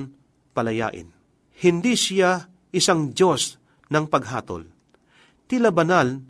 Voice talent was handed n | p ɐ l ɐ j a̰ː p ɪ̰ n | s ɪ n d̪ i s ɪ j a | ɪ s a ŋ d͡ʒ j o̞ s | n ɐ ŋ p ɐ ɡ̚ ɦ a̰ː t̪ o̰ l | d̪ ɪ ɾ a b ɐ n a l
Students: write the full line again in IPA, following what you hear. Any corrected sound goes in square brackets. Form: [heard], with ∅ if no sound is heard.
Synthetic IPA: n | p ɐ l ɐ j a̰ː [ʔ] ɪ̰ n | [h] ɪ n d̪ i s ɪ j a | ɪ s a ŋ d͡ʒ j o̞ s | n ɐ ŋ p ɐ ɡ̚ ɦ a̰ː t̪ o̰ l | [t̪] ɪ [l] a b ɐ n a l